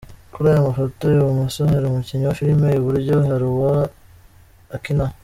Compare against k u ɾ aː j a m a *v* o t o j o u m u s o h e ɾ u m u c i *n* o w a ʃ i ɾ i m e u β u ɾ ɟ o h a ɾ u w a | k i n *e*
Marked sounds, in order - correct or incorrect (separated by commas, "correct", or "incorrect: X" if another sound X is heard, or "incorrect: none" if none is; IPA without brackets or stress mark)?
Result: incorrect: f, incorrect: ɲ, incorrect: a